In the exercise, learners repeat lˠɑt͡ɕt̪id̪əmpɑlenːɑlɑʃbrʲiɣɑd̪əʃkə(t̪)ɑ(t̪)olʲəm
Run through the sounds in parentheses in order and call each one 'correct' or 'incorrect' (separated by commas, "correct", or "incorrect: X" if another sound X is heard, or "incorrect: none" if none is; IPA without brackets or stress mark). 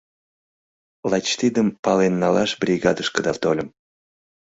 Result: incorrect: d̪, correct